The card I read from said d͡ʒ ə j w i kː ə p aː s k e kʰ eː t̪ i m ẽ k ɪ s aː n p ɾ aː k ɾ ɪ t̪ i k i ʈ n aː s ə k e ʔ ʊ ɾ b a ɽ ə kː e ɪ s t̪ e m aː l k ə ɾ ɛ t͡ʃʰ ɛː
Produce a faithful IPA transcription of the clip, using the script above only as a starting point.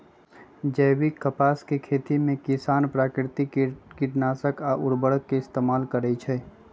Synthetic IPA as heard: d͡ʒ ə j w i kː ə p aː s k e kʰ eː t̪ i m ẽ k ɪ s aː n p ɾ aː k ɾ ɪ t̪ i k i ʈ n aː s ə k a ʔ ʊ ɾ b ə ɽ ə kː e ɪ s t̪ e m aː l k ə ɾ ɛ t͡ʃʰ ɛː